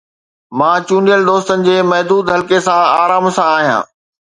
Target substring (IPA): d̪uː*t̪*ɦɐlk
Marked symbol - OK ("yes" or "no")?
no